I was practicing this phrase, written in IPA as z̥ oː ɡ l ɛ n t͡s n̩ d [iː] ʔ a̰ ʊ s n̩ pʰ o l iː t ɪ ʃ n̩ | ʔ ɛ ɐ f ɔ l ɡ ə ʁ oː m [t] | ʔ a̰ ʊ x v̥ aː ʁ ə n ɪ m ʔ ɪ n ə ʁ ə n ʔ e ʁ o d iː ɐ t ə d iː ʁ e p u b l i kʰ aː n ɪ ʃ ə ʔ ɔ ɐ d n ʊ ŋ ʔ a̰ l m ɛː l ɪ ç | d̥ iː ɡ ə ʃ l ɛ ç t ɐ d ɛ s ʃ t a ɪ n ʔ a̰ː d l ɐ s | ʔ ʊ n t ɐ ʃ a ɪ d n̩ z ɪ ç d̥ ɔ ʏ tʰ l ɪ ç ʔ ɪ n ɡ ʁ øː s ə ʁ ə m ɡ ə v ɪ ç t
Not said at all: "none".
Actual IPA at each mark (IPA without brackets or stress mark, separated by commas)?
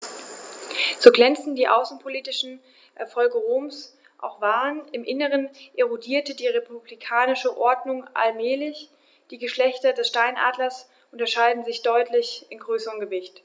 iː, s